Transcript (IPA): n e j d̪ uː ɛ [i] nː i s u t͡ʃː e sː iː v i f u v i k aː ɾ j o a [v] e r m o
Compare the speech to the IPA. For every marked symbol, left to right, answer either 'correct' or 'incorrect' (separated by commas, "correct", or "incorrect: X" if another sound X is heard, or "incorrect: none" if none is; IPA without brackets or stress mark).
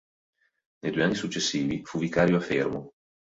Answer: incorrect: a, incorrect: f